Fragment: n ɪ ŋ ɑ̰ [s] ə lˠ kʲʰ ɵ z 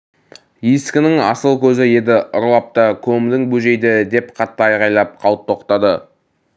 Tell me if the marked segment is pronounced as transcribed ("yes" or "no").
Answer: yes